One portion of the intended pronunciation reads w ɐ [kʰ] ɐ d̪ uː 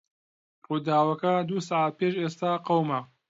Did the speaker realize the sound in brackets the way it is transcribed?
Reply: no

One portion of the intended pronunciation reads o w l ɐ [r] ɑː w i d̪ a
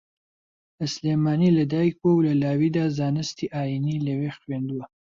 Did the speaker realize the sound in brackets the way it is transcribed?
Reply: no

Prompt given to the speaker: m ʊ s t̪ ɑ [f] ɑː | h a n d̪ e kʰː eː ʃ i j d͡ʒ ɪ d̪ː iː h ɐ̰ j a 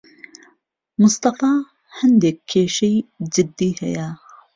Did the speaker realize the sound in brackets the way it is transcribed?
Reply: yes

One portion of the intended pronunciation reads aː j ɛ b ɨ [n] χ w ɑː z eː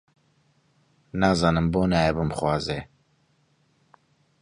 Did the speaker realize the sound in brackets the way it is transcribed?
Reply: no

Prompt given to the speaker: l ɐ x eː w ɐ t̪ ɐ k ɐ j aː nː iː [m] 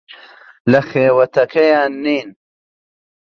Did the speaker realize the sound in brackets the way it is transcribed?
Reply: no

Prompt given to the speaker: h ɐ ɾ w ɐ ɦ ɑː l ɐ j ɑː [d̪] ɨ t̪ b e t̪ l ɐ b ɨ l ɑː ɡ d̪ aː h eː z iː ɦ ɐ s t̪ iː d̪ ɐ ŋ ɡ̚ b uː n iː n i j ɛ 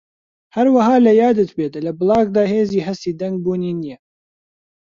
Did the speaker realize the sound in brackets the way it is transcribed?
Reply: yes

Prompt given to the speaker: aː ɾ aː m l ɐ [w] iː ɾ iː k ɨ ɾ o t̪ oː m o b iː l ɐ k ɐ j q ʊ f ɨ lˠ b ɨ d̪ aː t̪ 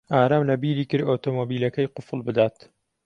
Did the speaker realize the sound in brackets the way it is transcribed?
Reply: no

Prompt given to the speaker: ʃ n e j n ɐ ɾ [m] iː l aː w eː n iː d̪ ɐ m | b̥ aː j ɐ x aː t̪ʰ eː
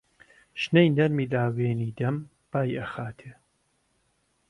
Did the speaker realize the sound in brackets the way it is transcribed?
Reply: yes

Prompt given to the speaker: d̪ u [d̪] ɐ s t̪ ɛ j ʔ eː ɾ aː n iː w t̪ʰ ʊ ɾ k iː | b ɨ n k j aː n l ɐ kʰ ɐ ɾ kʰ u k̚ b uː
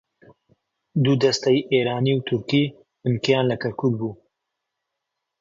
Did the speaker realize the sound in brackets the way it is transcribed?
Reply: yes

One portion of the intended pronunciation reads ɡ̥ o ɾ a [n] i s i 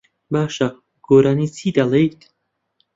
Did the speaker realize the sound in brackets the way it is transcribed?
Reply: yes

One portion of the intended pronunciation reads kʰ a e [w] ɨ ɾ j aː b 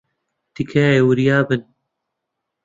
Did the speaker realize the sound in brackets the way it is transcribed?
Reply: yes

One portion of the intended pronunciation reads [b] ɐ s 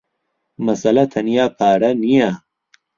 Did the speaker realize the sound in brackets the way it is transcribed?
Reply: no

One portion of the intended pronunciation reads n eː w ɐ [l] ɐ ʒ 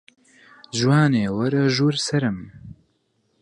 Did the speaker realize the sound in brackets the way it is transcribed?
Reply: no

